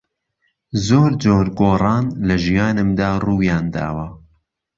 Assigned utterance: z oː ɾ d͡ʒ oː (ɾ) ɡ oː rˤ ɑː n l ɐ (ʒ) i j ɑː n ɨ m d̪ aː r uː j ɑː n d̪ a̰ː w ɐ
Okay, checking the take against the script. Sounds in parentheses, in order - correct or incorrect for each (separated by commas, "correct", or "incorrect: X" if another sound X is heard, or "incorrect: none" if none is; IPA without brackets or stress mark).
correct, correct